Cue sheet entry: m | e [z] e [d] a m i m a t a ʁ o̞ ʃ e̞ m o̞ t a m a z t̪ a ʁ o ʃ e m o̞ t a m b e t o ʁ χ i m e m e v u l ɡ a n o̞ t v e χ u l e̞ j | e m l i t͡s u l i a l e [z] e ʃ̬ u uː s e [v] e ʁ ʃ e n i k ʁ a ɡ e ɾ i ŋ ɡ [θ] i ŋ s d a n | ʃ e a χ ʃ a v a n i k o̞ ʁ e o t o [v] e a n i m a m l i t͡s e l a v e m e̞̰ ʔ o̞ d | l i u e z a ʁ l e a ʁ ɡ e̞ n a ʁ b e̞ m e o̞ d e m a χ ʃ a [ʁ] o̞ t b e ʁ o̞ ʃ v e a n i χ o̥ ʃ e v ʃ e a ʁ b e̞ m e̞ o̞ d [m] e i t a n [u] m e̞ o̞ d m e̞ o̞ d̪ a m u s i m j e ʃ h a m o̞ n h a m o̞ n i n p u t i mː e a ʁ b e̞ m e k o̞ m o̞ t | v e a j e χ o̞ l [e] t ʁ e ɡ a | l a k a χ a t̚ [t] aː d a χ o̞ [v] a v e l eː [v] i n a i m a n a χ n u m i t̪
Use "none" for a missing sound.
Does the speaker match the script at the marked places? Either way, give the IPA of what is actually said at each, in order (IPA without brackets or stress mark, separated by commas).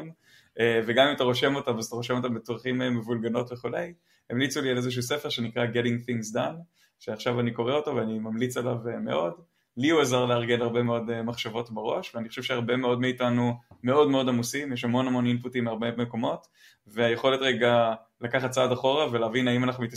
v, ɡ, z, f, θ, v, v, m, u, e, t͡s, ʁ, v